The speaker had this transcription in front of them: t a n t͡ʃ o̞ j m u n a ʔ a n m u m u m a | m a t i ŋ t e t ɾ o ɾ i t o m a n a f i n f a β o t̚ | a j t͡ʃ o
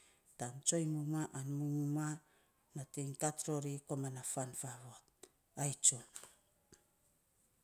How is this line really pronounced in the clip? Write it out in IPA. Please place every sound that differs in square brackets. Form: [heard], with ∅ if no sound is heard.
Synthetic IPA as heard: t a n t͡ʃ o̞ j m u [m] a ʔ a n m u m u m a | [n] a t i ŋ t [a] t ɾ o ɾ i [k] o m a n a f [a] n f a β o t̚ | a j t͡ʃ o